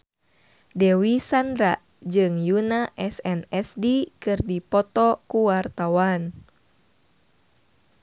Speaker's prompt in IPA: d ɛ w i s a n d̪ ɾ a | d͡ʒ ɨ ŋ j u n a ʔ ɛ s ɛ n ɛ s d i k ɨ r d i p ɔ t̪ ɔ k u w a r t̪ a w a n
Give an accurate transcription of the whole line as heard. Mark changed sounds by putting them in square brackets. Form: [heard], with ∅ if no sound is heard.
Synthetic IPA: d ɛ w i s a n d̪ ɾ a | d͡ʒ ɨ ŋ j u n a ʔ ɛ s ɛ n ɛ s d i k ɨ r d i p ɔ t̪ ɔ k u w a r t̪ a w a n